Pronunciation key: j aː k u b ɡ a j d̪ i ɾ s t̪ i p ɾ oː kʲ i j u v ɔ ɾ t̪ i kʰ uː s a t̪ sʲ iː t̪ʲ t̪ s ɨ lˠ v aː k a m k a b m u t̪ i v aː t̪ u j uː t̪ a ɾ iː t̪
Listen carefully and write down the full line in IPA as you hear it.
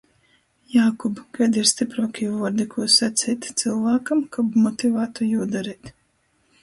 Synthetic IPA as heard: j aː k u b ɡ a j d̪ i ɾ s t̪ i p ɾ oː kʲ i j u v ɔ ɾ d̪ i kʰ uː s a t̪ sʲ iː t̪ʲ t̪ s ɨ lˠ v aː k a m k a b m ɔ t̪ i v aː t̪ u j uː d̪ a ɾ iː t̪

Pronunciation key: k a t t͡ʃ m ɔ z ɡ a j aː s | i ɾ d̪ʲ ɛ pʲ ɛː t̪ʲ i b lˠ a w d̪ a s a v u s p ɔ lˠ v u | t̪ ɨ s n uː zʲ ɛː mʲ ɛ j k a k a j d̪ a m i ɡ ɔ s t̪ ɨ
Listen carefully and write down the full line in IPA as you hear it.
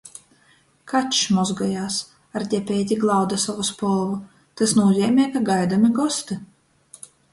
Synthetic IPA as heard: k a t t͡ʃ m ɔ z ɡ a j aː s | a ɾ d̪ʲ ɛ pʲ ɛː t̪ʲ i ɡ lˠ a w d̪ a s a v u s p ɔ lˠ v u | t̪ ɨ s n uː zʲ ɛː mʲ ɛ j k a ɡ a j d̪ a m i ɡ ɔ s t̪ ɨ

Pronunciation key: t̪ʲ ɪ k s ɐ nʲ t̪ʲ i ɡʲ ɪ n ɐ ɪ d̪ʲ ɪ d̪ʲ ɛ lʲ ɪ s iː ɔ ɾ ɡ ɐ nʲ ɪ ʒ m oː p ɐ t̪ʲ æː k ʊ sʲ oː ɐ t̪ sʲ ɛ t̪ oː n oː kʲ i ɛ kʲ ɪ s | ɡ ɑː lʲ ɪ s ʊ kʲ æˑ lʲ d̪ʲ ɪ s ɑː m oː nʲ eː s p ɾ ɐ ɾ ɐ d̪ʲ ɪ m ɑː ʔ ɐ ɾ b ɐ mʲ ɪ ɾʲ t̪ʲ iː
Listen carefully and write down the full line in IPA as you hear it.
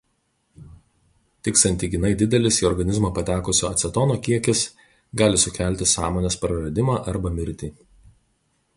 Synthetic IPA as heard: t̪ʲ ɪ k s ɐ nʲ t̪ʲ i ɡʲ ɪ n ɐ ɪ d̪ʲ ɪ d̪ʲ ɛ lʲ ɪ s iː ɔ ɾ ɡ ɐ nʲ ɪ z m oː p ɐ t̪ʲ æː k ʊ sʲ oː ɐ t̪ sʲ ɛ t̪ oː n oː kʲ i ɛ kʲ ɪ s | ɡ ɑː lʲ ɪ s ʊ kʲ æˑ lʲ t̪ʲ ɪ s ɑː m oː nʲ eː s p ɾ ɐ ɾ ɐ d̪ʲ ɪ m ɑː ʔ ɐ ɾ b ɐ mʲ ɪ ɾʲ t̪ʲ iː

